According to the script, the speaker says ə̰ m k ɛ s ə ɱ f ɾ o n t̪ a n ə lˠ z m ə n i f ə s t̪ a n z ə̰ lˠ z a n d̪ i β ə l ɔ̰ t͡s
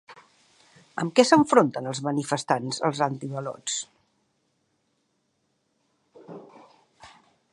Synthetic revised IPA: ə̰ m k ɛ s ə ɱ f ɾ o n t̪ ə n ə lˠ z m ə n i f ə s t̪ a n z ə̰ lˠ z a n t̪ i β ə l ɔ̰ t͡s